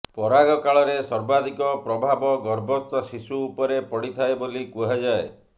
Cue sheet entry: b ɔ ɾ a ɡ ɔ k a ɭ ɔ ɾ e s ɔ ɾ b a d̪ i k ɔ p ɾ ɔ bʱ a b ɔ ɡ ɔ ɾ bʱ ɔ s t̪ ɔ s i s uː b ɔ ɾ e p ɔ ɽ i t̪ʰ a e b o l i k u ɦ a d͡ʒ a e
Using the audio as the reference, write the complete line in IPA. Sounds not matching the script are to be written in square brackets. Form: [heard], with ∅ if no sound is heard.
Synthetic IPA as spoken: [p] ɔ ɾ a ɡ ɔ k a ɭ ɔ ɾ e s ɔ ɾ b a d̪ i k ɔ p ɾ ɔ bʱ a b ɔ ɡ ɔ ɾ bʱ ɔ s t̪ ɔ s i s uː [p] ɔ ɾ e p ɔ ɽ i t̪ʰ a e b o l i k u ɦ a d͡ʒ a e

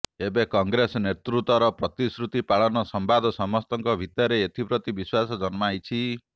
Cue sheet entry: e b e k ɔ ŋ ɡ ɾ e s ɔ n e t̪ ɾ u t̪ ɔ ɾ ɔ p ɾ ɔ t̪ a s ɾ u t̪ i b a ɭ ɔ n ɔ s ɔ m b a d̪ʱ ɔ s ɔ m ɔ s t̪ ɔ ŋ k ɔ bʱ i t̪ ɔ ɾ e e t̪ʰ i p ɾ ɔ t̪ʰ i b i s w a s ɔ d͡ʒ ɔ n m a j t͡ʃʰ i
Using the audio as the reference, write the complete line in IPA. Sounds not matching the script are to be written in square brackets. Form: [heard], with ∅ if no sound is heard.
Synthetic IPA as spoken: e b e k ɔ ŋ ɡ ɾ e s ɔ n e t̪ ɾ u t̪ ɔ ɾ ɔ p ɾ ɔ t̪ [i] s ɾ u t̪ i [p] a ɭ ɔ n ɔ s ɔ m b a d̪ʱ ɔ s ɔ m ɔ s t̪ ɔ ŋ k ɔ bʱ i t̪ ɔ ɾ e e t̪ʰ i p ɾ ɔ [t̪] i b i s w a s ɔ d͡ʒ ɔ n m a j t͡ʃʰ i

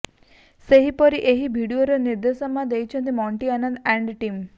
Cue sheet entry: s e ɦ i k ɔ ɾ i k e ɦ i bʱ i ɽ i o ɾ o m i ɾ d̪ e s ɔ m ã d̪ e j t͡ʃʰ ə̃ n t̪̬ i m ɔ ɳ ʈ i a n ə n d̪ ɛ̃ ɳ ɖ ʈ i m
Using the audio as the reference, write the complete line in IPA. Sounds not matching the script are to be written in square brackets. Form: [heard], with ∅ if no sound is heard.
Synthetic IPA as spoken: s e ɦ i [p] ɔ ɾ i [ʔ] e ɦ i bʱ i ɽ i o ɾ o [n] i ɾ d̪ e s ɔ m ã d̪ e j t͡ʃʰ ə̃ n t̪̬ i m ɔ ɳ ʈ i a n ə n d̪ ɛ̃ ɳ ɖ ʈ i m

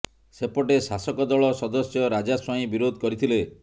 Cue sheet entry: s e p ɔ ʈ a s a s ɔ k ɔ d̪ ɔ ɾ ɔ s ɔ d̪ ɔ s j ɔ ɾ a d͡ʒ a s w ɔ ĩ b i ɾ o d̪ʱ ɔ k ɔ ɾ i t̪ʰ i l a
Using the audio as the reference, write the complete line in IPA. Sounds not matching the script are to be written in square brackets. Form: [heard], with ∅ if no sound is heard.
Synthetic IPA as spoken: s e p ɔ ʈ [e] s a s ɔ k ɔ d̪ ɔ [ɭ] ɔ s ɔ d̪ ɔ s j ɔ ɾ a d͡ʒ a s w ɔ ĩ b i ɾ o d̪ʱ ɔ k ɔ ɾ i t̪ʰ i l [e]

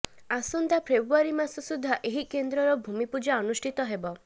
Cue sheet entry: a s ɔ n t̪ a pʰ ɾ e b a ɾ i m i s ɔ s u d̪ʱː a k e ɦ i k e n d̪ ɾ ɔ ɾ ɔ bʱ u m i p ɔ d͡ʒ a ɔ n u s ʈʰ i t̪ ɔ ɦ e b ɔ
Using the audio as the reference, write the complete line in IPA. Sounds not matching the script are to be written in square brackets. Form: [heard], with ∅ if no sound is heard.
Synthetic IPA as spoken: a s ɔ n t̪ a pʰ ɾ e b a ɾ i m [a] s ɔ s u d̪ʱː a [ʔ] e ɦ i k e n d̪ ɾ ɔ ɾ ɔ bʱ u m i p [u] d͡ʒ a ɔ n u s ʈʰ i t̪ ɔ ɦ e b ɔ

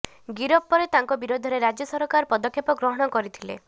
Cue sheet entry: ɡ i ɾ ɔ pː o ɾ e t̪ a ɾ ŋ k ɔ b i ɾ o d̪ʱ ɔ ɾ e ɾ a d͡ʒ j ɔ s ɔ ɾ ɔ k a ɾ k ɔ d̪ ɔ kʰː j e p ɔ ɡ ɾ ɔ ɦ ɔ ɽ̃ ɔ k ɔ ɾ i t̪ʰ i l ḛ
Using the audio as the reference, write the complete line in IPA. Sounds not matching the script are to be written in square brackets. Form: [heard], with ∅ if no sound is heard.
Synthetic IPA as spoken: ɡ i ɾ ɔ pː [ɔ] ɾ e t̪ a [∅] ŋ k ɔ b i ɾ o d̪ʱ ɔ ɾ e ɾ a d͡ʒ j ɔ s ɔ ɾ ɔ k a ɾ [p] ɔ d̪ ɔ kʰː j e p ɔ ɡ ɾ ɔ ɦ ɔ ɽ̃ ɔ k ɔ ɾ i t̪ʰ i l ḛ

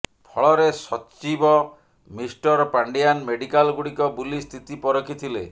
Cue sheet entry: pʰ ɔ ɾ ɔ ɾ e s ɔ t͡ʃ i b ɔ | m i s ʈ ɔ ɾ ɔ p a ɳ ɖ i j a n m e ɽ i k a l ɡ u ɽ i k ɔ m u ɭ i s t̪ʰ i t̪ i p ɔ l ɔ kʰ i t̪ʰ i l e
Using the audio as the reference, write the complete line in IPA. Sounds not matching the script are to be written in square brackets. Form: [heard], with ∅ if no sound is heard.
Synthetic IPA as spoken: pʰ ɔ [ɭ] ɔ ɾ e s ɔ t͡ʃ i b ɔ | m i s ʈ ɔ ɾ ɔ p a ɳ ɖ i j a n m e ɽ i k a l ɡ u ɽ i k ɔ [b] u [l] i s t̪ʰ i t̪ i p ɔ [ɾ] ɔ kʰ i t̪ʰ i l e

